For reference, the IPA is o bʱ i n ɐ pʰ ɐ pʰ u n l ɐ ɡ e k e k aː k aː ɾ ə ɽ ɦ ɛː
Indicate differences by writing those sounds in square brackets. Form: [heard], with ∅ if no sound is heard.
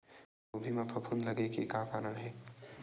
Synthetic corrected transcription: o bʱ i [m] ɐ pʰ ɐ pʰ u n l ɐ ɡ e k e k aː k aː ɾ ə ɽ ɦ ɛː